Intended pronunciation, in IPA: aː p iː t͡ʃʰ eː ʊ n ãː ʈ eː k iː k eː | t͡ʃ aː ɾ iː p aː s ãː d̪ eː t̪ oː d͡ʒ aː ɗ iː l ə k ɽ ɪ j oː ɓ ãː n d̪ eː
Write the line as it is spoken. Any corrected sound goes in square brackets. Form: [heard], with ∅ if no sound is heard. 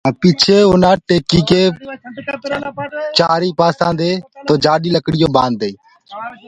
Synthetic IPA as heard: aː p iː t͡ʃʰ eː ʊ n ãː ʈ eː k iː k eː | t͡ʃ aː ɾ iː p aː s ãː d̪ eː t̪ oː d͡ʒ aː ɗ iː l ə k ɽ ɪ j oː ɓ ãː n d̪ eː